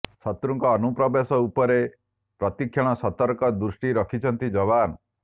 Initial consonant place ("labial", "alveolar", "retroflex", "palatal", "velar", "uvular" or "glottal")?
alveolar